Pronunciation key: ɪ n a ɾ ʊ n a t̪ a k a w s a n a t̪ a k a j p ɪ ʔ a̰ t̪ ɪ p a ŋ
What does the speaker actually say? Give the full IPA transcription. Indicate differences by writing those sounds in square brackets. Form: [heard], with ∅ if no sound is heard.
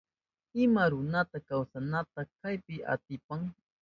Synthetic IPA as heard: ɪ [m] a ɾ ʊ n a t̪ a k a w s a n a t̪ a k a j p ɪ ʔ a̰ t̪ ɪ p a ŋ